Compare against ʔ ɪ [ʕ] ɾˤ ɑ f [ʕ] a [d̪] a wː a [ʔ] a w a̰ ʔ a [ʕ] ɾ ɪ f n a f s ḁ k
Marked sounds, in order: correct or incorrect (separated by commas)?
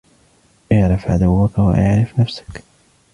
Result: correct, correct, correct, incorrect, correct